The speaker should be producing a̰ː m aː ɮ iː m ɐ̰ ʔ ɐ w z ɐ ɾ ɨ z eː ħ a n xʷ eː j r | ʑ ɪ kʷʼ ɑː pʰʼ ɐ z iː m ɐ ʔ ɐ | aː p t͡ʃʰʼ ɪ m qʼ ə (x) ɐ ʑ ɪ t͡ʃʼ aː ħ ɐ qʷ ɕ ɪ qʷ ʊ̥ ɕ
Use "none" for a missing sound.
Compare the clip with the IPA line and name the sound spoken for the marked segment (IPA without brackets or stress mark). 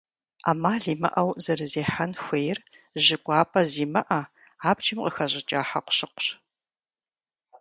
x